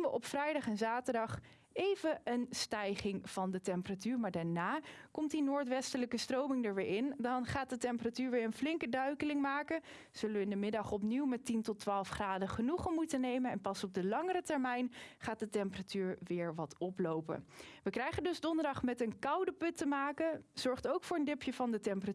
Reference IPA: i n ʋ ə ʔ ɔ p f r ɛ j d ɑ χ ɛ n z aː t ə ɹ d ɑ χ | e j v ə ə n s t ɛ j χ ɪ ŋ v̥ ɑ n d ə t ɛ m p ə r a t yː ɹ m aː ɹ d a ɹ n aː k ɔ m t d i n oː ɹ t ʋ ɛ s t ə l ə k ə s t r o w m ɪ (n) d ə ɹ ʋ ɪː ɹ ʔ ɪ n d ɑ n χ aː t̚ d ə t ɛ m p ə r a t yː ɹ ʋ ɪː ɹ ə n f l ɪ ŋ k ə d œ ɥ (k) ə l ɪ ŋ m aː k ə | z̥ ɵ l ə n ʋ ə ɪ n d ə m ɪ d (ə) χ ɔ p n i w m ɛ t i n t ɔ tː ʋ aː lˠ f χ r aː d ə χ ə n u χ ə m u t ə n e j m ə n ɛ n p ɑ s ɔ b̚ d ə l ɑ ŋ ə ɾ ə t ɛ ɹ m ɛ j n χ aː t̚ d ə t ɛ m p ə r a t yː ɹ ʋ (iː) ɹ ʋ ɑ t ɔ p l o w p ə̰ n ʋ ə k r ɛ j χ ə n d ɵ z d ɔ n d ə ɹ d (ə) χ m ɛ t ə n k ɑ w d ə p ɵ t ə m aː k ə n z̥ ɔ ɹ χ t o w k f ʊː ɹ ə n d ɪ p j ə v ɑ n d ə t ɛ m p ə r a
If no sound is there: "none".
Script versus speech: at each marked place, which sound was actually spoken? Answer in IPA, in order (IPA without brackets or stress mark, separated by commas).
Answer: ŋ, k, ɑ, ɪː, ɑ